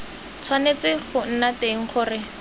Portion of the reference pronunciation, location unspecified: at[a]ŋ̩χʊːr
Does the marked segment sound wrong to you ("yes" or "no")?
yes